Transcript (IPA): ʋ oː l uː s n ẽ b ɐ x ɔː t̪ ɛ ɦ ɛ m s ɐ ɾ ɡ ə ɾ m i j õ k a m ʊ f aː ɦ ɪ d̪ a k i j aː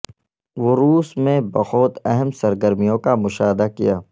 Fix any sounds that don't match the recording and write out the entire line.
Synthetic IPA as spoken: ʋ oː ɾ uː s m ẽ b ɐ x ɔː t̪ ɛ ɦ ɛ m s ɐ ɾ ɡ ə ɾ m i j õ k a m ʊ ʃ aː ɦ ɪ d̪ a k i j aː